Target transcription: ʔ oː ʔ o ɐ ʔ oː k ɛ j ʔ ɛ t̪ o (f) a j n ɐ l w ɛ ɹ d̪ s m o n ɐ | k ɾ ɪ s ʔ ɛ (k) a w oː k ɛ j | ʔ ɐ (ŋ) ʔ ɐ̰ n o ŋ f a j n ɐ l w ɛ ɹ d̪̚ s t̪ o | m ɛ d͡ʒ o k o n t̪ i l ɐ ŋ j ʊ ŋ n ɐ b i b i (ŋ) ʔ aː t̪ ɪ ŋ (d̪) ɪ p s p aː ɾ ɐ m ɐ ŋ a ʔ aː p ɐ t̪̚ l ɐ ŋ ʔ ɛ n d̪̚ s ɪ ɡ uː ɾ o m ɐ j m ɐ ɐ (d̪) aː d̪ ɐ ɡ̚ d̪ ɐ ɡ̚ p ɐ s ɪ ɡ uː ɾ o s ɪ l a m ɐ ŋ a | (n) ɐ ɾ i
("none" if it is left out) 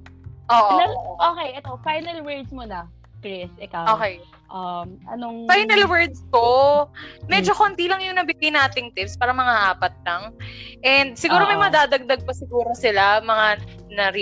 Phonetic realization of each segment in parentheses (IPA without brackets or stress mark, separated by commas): f, k, m, n, t̪, d̪, n